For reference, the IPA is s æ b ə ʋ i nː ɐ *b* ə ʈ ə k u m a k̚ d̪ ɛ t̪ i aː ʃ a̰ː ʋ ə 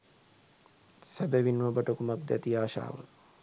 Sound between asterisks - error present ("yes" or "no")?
no